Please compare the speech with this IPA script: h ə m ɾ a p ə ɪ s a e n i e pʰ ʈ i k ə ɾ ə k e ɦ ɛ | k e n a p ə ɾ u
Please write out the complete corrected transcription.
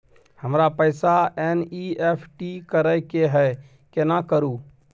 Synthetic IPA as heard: h ə m ɾ a p ə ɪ s a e n i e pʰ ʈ i k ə ɾ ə k e ɦ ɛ | k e n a k ə ɾ u